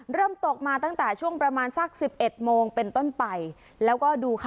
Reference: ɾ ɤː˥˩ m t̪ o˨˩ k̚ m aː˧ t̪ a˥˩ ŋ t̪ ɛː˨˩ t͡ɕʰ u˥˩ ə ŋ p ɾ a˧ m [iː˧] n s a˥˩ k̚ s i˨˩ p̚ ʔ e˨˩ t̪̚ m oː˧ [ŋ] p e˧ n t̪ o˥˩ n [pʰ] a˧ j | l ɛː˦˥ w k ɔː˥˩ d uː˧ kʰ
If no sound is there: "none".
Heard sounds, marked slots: aː˧, ŋ, p

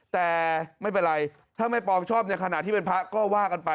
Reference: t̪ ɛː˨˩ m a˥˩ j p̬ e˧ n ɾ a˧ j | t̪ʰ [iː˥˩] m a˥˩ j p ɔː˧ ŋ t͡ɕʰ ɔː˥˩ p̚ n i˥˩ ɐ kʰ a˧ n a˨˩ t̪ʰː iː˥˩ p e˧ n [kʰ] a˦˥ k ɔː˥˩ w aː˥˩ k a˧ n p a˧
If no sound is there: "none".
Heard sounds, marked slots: aː˥˩, pʰ

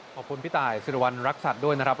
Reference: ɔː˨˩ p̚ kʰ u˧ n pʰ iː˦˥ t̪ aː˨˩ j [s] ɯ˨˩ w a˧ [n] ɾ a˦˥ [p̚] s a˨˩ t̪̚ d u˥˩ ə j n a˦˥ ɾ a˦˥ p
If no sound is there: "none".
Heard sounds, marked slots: s, n, k̚

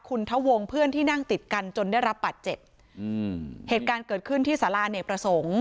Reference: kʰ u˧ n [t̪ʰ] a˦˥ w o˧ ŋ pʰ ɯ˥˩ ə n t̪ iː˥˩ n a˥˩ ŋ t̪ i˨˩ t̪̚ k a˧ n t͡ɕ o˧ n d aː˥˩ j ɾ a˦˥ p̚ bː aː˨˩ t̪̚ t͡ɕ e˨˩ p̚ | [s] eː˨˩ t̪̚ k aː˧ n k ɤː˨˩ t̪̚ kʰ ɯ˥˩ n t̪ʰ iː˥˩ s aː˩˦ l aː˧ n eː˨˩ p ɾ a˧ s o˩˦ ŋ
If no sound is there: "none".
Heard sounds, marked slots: t̪ʰ, h

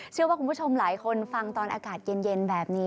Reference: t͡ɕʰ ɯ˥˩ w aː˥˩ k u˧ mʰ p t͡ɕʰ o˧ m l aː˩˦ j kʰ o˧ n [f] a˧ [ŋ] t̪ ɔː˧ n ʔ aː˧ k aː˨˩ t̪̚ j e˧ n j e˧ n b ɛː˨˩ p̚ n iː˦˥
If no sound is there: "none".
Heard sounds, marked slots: f, ŋ

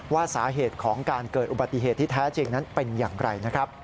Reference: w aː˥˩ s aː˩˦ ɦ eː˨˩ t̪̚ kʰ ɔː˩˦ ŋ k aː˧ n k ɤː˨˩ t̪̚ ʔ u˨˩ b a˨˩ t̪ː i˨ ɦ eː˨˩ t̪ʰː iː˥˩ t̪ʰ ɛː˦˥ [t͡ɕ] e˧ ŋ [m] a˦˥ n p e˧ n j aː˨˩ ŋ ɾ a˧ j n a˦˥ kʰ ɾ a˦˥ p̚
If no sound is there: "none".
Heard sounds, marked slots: t͡ɕ, n

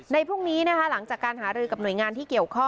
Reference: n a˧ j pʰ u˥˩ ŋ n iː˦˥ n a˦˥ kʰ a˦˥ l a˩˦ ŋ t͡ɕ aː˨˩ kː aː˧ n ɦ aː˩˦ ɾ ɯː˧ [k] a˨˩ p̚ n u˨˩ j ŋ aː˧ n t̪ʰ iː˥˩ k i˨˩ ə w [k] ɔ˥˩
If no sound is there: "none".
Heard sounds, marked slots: k, kʰ

